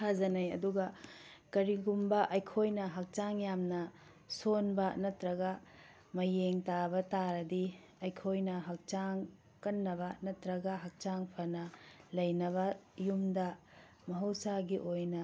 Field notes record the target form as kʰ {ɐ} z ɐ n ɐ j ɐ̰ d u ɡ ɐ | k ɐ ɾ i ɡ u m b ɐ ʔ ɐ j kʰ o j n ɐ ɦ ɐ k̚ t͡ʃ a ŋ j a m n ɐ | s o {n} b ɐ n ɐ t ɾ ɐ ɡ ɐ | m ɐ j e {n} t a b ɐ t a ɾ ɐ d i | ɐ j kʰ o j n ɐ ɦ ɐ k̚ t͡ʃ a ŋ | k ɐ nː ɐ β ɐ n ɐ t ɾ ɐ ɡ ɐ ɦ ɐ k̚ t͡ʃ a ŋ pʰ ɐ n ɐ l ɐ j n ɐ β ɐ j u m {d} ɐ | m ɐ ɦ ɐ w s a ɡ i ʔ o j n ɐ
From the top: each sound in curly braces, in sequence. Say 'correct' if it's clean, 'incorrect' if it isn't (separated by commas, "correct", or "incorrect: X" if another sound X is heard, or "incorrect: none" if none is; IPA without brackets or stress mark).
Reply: incorrect: a, correct, incorrect: ŋ, correct